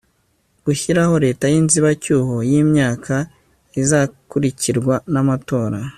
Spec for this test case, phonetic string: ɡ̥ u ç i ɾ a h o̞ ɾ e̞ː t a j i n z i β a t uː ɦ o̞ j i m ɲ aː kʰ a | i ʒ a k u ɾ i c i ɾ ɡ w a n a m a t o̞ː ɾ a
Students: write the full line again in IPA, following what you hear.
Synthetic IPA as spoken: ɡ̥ u ç i ɾ a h o̞ ɾ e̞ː t a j i n z i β a c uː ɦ o̞ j i m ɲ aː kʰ a | i z a k u ɾ i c i ɾ ɡ w a n a m a t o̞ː ɾ a